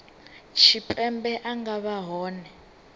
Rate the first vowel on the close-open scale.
close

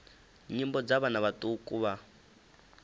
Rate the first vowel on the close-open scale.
close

